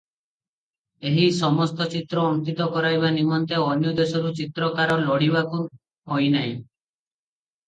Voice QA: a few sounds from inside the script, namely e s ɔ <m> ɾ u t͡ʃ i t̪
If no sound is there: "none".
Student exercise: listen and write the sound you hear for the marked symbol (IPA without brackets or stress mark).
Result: none